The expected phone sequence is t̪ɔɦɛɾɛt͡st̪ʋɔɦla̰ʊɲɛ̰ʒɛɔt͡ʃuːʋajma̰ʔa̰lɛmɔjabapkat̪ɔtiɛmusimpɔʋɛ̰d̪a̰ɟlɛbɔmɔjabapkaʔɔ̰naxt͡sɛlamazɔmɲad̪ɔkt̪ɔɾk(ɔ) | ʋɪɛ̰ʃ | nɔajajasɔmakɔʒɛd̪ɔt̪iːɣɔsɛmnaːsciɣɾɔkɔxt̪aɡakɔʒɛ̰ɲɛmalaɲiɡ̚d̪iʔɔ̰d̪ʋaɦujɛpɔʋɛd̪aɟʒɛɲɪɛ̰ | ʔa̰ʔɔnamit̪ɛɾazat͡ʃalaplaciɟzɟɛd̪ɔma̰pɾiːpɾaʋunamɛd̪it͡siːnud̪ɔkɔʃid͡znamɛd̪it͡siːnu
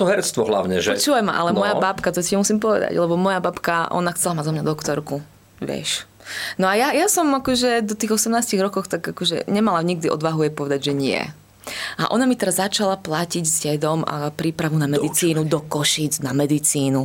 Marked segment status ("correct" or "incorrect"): incorrect